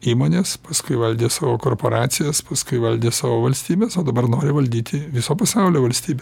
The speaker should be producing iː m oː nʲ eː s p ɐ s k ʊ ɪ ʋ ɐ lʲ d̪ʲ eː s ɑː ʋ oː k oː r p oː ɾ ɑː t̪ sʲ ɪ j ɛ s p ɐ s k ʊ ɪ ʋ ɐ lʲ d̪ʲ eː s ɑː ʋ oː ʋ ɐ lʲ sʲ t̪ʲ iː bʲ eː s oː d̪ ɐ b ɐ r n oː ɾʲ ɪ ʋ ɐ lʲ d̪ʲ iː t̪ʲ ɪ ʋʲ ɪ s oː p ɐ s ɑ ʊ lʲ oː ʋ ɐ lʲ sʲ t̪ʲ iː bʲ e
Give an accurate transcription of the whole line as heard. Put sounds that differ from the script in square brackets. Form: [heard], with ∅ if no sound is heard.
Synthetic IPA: iː m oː nʲ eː s p ɐ s k ʊ ɪ ʋ ɐ lʲ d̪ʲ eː s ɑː ʋ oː k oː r p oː ɾ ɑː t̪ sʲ ɪ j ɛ s p ɐ s k ʊ ɪ ʋ ɐ lʲ d̪ʲ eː s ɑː ʋ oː ʋ ɐ lʲ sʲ t̪ʲ iː bʲ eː s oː d̪ ɐ b ɐ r n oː ɾʲ ɪ ʋ ɐ lʲ d̪ʲ iː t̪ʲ ɪ ʋʲ ɪ s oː p ɐ s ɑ ʊ lʲ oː ʋ ɐ lʲ sʲ t̪ʲ iː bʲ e